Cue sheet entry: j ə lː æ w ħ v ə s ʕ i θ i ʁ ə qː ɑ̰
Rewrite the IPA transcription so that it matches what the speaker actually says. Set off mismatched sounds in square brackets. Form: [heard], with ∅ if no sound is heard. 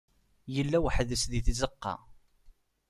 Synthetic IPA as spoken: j ə lː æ w ħ [ð] ə s [ð] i θ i [z] ə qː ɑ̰